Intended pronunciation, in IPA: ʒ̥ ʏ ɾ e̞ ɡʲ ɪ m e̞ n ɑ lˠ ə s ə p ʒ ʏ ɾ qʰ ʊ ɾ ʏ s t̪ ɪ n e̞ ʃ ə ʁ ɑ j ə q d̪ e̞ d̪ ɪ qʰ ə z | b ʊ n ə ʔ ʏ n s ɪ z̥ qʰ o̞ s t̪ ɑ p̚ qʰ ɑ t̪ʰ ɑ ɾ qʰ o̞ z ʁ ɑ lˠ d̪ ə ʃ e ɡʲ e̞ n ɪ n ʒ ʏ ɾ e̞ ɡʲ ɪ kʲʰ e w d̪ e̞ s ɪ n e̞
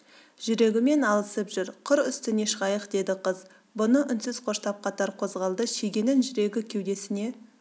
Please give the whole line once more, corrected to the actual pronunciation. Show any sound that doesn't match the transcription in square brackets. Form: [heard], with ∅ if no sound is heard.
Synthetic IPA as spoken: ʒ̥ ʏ ɾ e̞ ɡʲ ɪ m e̞ n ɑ lˠ ə s ə p ʒ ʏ ɾ qʰ ʊ ɾ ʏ s t̪ ɪ n e̞ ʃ ə ʁ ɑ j ə q d̪ e̞ d̪ ɪ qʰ ə z | b ʊ n ə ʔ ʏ n s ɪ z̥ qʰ o̞ [ʃ] t̪ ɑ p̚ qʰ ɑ [t̪] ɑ ɾ qʰ o̞ z ʁ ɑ lˠ d̪ ə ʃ e ɡʲ e̞ n ɪ n ʒ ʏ ɾ e̞ ɡʲ ɪ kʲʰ e w d̪ e̞ s ɪ n e̞